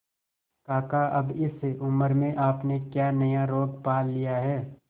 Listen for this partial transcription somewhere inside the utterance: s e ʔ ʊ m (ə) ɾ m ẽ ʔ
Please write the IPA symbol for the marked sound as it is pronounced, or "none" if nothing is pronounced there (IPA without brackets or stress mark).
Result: ə